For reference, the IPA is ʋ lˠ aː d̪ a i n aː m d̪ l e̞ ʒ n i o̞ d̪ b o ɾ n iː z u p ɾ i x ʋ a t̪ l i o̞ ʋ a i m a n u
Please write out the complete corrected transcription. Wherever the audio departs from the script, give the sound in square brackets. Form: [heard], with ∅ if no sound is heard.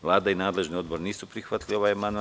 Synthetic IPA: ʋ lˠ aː d̪ a i n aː [∅] d̪ l e̞ ʒ n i o̞ d̪ b o ɾ n iː [s] u p ɾ i x ʋ a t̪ l i o̞ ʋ a [j] m a n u